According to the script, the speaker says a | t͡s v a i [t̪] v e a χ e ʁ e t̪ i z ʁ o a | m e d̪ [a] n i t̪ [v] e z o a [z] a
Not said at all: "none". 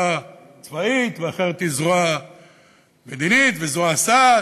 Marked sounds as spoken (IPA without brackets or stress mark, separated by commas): t̪, i, v, s